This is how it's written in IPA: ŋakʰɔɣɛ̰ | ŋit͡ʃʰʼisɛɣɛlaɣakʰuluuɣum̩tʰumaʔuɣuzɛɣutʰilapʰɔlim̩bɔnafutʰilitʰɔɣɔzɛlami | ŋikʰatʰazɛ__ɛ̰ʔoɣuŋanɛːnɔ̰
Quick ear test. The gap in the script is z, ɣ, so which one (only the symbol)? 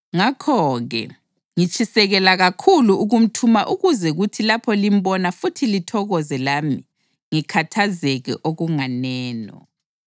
ɣ